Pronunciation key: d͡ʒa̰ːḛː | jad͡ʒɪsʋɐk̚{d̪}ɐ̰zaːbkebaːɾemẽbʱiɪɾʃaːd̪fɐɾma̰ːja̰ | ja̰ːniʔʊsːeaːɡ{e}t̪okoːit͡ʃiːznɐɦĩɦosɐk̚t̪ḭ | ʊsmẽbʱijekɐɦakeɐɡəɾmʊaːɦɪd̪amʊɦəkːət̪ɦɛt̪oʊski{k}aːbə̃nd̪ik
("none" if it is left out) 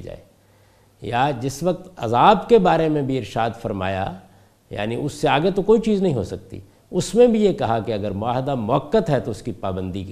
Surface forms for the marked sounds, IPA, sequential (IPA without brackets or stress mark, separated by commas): t̪, e, p